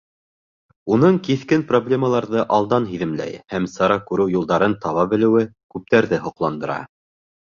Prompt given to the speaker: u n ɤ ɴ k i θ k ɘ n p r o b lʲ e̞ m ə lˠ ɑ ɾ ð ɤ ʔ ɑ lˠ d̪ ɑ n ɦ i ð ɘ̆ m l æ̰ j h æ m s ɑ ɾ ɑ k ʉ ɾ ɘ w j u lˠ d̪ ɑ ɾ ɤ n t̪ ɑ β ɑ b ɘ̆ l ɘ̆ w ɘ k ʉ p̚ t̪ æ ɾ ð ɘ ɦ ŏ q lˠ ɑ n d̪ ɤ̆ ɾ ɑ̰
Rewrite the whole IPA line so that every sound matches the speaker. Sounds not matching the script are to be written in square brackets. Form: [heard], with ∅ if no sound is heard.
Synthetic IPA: u n ɤ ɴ k i θ k ɘ n p r o b lʲ e̞ m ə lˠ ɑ ɾ ð ɤ ʔ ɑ lˠ d̪ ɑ n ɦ i ð ɘ̆ m l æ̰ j h æ m s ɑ ɾ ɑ k ʉ ɾ ɘ w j u lˠ d̪ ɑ ɾ ɤ n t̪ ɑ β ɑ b ɘ̆ l ɘ̆ w ɘ k ʉ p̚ t̪ æ ɾ ð ɘ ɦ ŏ q lˠ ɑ n d̪ ɤ̆ ɾ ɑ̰